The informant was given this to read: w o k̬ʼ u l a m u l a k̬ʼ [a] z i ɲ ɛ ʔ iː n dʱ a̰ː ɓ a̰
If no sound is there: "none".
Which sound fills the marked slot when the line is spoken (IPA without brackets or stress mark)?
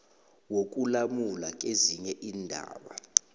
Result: e